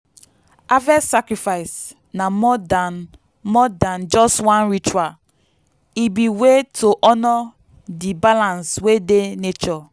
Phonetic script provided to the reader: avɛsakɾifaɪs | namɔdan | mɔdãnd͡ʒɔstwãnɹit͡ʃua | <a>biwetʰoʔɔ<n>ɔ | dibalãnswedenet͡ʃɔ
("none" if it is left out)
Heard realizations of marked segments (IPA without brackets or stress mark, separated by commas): i, n